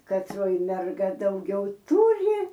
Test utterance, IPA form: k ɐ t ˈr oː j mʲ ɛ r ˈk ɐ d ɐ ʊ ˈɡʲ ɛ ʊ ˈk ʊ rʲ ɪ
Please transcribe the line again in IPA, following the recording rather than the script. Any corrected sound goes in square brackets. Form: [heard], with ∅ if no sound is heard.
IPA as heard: k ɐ t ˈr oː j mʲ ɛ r [ˈɡ] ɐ d ɐ ʊ ˈɡʲ ɛ ʊ [ˈt] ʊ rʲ ɪ